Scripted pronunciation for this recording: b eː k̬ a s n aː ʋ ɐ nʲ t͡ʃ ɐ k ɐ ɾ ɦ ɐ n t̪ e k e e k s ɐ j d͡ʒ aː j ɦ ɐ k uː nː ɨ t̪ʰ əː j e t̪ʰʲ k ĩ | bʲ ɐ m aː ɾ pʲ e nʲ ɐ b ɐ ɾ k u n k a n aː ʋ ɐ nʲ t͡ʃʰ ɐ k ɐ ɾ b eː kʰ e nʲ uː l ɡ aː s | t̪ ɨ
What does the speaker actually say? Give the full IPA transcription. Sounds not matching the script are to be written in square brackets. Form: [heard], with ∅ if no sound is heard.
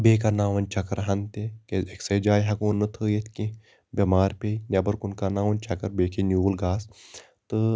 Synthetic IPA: b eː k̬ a [∅] n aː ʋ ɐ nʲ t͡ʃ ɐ k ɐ ɾ ɦ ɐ n t̪ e k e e k s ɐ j d͡ʒ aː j ɦ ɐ k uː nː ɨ t̪ʰ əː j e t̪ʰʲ k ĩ | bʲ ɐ m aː ɾ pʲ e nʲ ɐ b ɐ ɾ k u n k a n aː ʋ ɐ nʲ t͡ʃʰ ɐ k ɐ ɾ b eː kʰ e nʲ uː l ɡ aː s | t̪ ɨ